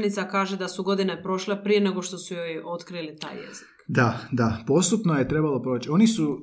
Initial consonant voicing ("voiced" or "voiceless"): voiced